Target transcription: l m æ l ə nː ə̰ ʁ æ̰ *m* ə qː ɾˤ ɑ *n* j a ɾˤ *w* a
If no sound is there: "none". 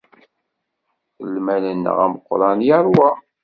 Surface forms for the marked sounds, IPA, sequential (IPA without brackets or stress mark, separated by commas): m, n, w